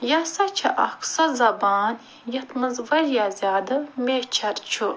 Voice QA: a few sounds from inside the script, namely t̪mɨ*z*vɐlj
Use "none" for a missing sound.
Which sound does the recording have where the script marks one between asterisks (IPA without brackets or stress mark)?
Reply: z